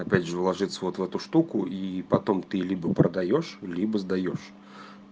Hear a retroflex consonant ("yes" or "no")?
yes